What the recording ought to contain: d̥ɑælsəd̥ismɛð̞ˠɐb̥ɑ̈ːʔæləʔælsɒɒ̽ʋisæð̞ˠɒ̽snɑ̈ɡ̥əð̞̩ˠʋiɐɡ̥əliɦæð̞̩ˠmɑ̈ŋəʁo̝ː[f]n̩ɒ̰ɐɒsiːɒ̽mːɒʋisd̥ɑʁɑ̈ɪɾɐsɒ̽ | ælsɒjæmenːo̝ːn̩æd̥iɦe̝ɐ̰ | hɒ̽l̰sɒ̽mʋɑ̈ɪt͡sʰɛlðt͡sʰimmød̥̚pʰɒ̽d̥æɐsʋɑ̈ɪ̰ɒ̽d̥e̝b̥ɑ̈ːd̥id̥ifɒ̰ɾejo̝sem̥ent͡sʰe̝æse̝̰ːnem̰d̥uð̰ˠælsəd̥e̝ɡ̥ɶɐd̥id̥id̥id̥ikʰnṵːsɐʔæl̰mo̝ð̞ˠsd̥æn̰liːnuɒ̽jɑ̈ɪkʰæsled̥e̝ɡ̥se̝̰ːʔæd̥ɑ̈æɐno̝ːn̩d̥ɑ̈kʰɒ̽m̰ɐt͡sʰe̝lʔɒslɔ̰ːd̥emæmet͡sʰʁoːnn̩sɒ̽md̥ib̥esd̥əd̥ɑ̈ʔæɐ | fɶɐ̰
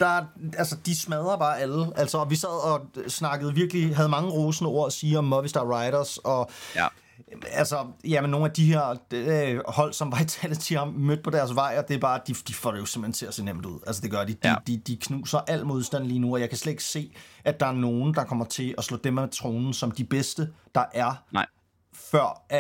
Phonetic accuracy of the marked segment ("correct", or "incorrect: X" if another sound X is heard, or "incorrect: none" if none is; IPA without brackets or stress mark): incorrect: s